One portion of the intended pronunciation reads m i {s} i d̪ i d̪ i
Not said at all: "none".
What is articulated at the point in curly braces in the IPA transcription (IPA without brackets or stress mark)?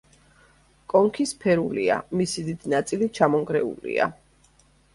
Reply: s